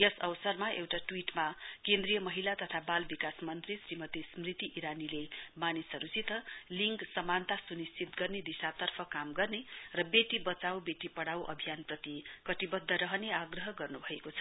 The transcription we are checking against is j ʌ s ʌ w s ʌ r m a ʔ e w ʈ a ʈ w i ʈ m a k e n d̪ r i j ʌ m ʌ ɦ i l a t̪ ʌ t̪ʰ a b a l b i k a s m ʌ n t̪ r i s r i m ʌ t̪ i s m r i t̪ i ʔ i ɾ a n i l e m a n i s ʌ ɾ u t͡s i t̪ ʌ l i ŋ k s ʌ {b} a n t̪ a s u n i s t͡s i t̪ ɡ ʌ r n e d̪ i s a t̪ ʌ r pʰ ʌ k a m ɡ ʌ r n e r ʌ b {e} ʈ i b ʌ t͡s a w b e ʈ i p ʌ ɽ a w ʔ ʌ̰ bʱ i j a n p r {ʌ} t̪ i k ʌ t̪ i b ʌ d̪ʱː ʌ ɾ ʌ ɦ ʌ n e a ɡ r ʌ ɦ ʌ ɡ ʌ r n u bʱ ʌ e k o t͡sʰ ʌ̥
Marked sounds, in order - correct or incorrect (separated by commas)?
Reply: incorrect, correct, correct